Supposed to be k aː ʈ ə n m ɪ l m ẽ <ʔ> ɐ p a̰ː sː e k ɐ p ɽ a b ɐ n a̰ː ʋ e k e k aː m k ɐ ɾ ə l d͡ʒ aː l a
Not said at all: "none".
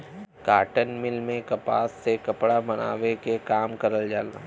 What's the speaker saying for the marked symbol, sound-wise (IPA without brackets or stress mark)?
k